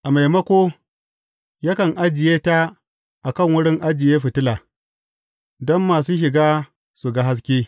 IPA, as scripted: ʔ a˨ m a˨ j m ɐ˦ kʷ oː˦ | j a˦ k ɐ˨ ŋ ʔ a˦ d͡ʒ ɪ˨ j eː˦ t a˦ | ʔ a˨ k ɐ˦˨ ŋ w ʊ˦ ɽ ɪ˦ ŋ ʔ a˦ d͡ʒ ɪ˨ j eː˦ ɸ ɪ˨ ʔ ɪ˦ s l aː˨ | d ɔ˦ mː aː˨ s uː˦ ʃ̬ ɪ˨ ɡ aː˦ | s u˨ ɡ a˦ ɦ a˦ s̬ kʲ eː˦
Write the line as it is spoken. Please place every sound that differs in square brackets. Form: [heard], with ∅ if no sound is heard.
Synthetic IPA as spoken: ʔ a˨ m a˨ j m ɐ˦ kʷ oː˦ | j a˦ k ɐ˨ ŋ ʔ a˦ d͡ʒ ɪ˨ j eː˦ t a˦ | ʔ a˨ k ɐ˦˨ ŋ w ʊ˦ ɽ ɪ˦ ŋ ʔ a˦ d͡ʒ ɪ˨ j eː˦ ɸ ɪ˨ [t] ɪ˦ [∅] l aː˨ | d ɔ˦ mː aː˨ s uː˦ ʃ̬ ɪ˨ ɡ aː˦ | s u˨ ɡ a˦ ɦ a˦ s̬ kʲ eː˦

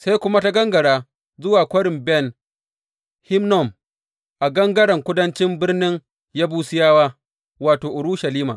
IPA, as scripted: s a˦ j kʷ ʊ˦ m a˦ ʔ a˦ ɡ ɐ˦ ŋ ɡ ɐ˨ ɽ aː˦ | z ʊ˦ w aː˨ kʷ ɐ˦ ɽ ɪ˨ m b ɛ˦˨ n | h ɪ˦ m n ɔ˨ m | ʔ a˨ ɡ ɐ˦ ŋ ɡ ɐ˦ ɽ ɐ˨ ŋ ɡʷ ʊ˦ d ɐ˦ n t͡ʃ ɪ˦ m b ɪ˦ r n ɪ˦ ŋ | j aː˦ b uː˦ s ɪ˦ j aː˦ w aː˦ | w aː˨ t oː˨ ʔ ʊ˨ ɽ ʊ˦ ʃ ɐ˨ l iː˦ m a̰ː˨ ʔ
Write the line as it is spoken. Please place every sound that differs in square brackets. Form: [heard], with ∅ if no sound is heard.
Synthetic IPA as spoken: s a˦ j kʷ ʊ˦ m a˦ [t] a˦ ɡ ɐ˦ ŋ ɡ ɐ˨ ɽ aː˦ | z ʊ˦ w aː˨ kʷ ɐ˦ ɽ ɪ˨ m b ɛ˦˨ n | h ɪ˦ m n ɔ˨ m | ʔ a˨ ɡ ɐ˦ ŋ ɡ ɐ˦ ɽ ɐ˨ ŋ [kʷ] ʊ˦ d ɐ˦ n t͡ʃ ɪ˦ m b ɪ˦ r n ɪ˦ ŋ | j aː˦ b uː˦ s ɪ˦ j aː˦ w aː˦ | w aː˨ t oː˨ ʔ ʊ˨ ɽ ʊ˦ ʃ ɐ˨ l iː˦ m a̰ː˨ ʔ

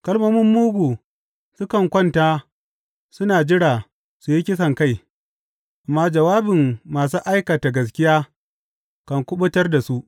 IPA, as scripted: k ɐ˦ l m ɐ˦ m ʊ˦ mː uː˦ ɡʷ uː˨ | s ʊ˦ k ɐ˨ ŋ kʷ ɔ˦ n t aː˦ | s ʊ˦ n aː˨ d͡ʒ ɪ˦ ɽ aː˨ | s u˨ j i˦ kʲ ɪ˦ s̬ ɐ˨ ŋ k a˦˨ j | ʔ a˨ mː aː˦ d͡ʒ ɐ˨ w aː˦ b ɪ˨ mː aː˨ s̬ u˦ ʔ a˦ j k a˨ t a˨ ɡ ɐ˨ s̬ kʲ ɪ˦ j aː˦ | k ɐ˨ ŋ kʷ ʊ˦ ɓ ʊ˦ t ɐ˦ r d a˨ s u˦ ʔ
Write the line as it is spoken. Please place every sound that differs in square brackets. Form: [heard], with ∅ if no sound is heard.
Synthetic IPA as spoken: k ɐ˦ l m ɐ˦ m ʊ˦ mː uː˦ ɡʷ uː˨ | s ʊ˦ k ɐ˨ ŋ kʷ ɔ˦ n t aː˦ | s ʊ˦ n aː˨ d͡ʒ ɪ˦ ɽ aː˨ | s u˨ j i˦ kʲ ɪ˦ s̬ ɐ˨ ŋ k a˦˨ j | ʔ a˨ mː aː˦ d͡ʒ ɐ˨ w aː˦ b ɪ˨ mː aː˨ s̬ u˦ ʔ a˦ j k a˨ t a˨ ɡ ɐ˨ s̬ kʲ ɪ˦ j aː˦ | k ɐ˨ ŋ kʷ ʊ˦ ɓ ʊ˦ t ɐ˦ r d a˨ s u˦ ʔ

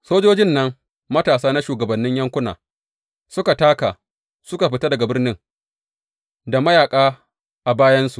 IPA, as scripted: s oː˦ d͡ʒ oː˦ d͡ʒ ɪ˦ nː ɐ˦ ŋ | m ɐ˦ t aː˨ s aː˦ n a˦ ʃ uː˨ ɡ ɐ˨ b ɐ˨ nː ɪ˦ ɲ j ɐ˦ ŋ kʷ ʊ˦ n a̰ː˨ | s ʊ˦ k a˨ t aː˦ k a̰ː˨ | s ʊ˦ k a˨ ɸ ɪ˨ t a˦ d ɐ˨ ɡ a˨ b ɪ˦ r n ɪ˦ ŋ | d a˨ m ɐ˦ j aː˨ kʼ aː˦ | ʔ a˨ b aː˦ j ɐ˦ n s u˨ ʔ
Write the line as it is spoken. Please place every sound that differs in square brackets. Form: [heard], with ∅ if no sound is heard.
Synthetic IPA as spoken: s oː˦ d͡ʒ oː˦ d͡ʒ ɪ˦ nː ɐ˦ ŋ | m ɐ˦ t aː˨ s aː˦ n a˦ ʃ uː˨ ɡ ɐ˨ b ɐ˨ nː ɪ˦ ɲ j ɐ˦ ŋ kʷ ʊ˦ n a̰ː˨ | s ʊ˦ k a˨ t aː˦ k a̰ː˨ | s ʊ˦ k a˨ ɸ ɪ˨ t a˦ d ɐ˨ ɡ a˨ b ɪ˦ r n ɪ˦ ŋ | d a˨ m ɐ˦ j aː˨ kʼ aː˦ | ʔ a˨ b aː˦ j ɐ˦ n s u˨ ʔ

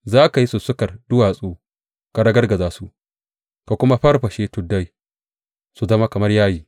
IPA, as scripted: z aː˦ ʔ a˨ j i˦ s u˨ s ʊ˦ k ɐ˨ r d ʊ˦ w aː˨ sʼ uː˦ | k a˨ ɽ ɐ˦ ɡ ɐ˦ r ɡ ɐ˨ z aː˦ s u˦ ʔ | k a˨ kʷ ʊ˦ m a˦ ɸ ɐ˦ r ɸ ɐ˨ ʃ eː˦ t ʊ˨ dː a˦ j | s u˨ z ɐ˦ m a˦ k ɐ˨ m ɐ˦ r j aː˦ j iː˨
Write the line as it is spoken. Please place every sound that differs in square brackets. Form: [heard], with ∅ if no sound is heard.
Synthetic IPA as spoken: z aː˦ [k] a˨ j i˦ s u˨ s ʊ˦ k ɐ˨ r d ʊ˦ w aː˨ sʼ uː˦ | k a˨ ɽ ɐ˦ ɡ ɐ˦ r ɡ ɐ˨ z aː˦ s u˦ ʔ | k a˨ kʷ ʊ˦ m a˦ ɸ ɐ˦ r ɸ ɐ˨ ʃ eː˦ t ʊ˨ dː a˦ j | s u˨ z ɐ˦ m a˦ k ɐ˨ m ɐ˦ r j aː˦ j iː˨

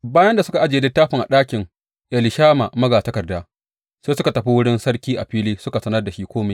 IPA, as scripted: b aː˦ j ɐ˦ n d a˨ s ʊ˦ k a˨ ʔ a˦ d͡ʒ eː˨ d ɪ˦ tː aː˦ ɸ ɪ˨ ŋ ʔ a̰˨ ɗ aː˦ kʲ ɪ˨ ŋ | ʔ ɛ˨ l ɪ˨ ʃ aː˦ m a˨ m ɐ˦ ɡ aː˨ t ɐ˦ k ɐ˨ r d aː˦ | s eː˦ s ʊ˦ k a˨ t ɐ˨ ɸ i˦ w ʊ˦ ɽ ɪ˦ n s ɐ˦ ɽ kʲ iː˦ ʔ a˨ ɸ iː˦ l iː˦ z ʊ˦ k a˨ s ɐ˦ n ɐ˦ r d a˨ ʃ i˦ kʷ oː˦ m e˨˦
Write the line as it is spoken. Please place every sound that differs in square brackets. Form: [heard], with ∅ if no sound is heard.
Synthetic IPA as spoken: b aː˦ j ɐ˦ n d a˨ s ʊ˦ k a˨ ʔ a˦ d͡ʒ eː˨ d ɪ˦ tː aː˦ ɸ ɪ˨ ŋ ʔ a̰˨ ɗ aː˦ kʲ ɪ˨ ŋ | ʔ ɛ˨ l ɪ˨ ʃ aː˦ m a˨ m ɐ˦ ɡ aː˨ t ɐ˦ k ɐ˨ r d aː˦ | s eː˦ s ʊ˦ k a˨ t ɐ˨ ɸ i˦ w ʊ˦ ɽ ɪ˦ n s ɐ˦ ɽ kʲ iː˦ ʔ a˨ ɸ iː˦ l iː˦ [s] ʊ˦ k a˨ s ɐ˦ n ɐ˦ r d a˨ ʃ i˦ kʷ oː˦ m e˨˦

